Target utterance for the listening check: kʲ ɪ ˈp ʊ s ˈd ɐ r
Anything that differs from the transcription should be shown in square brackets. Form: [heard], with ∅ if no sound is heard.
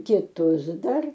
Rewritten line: kʲ ɪ [ˈt] ʊ s ˈd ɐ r